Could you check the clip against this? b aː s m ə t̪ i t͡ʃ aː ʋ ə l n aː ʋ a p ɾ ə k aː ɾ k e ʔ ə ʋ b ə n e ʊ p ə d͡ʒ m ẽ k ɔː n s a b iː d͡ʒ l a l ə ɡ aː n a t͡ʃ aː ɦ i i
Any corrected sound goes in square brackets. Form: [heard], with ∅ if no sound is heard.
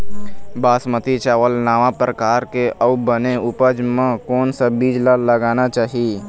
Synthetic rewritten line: b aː s m ə t̪ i t͡ʃ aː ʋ ə l n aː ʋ a p ɾ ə k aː ɾ k e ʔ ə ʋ b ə n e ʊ p ə d͡ʒ m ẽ k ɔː n s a b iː d͡ʒ l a l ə ɡ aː n a t͡ʃ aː ɦ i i